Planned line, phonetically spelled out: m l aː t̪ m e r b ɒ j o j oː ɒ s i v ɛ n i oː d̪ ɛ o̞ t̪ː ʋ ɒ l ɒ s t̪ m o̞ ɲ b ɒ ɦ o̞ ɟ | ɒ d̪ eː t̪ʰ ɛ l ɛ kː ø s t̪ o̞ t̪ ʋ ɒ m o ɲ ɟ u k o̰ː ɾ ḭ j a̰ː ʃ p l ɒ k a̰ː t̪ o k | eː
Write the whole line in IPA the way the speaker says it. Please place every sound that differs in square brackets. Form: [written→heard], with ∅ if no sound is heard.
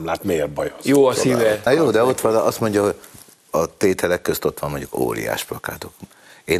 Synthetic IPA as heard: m l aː t̪ m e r b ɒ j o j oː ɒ s i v ɛ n [i→j] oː d̪ ɛ o̞ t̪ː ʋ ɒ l ɒ s t̪ m o̞ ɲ [b→ɟ] ɒ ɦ o̞ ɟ | ɒ [d̪→t̪] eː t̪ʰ ɛ l ɛ kː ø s t̪ o̞ t̪ ʋ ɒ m o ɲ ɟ u k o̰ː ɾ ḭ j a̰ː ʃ p l ɒ k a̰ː t̪ o k | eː